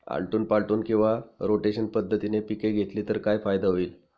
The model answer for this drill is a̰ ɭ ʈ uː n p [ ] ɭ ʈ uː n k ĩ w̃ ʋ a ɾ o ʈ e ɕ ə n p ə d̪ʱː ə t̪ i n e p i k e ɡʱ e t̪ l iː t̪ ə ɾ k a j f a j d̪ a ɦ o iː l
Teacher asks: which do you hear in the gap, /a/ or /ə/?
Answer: a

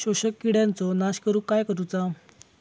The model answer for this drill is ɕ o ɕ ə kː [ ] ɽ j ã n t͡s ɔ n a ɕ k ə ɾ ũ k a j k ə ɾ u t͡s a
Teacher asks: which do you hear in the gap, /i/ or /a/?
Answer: i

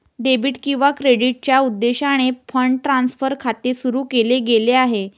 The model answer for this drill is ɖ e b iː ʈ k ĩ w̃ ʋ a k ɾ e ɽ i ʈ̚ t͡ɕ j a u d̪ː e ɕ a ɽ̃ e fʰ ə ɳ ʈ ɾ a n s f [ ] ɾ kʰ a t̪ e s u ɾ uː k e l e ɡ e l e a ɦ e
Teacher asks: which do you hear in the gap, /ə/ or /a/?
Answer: ə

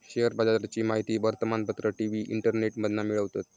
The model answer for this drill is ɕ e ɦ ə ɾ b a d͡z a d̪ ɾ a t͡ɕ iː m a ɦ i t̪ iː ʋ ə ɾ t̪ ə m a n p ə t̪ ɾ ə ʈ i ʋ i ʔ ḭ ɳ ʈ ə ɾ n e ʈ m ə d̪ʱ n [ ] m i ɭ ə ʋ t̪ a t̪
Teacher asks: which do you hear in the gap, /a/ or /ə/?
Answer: a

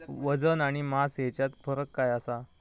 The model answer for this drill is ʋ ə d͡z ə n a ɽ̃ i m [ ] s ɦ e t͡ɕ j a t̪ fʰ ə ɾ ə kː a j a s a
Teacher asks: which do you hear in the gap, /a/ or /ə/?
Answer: a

